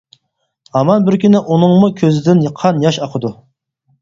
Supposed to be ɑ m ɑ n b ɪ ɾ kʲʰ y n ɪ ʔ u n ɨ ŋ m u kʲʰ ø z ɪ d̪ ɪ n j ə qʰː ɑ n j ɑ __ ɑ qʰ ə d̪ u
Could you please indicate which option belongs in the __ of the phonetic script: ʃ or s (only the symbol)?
ʃ